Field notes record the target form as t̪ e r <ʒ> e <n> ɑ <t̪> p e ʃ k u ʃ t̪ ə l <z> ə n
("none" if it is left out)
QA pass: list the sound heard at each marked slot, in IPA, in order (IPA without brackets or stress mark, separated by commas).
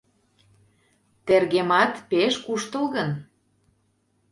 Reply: ɣ, m, t̪, ɣ